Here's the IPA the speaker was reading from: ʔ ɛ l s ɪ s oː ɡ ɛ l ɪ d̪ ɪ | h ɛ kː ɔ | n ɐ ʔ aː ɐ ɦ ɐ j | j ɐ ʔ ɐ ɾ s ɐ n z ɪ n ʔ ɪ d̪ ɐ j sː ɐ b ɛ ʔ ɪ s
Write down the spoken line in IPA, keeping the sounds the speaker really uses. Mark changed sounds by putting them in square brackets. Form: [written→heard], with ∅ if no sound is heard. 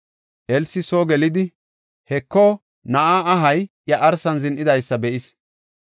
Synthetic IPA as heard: ʔ ɛ l s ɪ s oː ɡ ɛ l ɪ d̪ ɪ | h ɛ kː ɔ | n ɐ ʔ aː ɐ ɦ ɐ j | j ɐ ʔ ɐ ɾ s ɐ n z ɪ n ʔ ɪ d̪ ɐ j sː ɐ b ɛ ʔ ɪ s